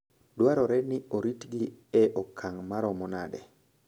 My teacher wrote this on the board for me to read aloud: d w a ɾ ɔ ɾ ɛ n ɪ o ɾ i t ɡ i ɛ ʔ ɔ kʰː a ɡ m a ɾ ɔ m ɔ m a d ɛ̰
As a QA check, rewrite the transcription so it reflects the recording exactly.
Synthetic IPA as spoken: d w a ɾ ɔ ɾ ɛ n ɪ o ɾ i t ɡ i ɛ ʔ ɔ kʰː a ŋ m a ɾ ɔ m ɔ n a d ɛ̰

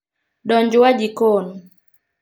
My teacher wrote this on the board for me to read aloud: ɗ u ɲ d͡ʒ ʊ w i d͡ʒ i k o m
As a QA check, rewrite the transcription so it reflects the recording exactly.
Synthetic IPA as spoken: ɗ ɔ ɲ d͡ʒ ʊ w a d͡ʒ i k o n

